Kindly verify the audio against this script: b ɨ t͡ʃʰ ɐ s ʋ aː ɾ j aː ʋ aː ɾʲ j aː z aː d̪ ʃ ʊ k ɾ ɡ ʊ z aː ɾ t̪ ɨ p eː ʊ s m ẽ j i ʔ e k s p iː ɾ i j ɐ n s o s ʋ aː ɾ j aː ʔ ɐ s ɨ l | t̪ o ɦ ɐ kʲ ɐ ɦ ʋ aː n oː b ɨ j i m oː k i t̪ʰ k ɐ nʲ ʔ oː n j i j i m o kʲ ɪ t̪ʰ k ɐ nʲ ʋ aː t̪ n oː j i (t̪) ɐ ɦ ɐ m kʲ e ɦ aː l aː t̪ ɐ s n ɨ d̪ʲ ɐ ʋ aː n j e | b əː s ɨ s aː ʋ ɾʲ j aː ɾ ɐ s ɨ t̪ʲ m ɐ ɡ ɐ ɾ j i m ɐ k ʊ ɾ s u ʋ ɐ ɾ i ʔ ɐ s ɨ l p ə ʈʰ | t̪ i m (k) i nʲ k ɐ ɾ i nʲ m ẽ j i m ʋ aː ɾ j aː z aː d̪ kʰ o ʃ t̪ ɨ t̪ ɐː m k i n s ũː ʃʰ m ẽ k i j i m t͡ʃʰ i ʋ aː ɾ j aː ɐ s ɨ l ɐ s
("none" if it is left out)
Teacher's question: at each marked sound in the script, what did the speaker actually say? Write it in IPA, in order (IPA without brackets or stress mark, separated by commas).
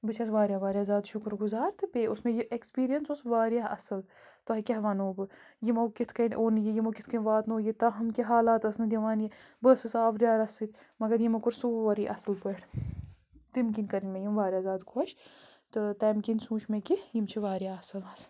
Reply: t̪, k